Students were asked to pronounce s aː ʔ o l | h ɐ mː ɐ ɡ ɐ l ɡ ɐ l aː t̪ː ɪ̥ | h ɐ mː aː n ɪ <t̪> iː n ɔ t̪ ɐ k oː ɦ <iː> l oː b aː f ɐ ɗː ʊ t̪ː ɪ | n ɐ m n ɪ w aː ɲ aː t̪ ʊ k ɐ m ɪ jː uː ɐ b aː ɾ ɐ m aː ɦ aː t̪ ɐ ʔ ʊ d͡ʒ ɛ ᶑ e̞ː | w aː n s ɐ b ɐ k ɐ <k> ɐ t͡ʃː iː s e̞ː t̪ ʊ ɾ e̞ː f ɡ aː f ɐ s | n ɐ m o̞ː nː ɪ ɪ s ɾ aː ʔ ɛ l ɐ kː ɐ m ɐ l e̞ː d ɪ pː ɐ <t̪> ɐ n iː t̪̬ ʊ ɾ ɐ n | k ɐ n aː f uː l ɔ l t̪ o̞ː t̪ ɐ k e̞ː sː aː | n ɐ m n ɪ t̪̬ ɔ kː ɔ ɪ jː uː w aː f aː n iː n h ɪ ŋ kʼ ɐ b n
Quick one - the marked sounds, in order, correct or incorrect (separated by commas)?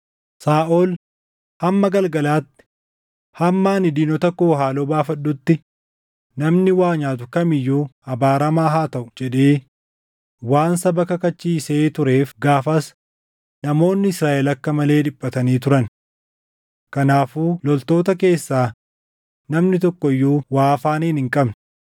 incorrect, incorrect, correct, correct